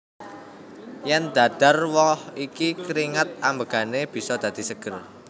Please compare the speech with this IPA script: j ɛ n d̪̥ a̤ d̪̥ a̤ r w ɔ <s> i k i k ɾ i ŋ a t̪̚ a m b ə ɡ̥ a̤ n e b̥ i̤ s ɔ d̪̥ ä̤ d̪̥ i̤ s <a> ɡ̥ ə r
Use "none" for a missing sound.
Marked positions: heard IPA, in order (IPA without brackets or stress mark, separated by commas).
h, ə